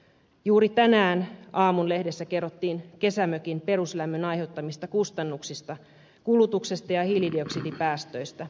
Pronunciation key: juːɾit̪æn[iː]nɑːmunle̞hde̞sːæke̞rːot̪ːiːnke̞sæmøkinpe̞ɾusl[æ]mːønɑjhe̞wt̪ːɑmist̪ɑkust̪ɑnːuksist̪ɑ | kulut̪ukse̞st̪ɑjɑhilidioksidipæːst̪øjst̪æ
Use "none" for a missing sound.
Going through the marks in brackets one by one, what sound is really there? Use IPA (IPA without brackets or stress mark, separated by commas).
æː, æ